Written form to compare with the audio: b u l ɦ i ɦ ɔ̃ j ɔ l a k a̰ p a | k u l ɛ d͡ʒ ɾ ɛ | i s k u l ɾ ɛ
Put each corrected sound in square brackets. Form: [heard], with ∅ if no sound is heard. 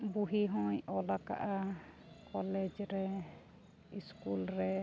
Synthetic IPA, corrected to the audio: b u [∅] ɦ i ɦ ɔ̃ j ɔ l a k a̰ [ʔ] a | k [ɔ] l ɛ d͡ʒ ɾ ɛ | i s k u l ɾ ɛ